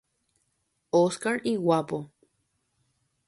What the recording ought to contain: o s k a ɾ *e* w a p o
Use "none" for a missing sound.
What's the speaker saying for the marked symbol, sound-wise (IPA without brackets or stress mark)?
i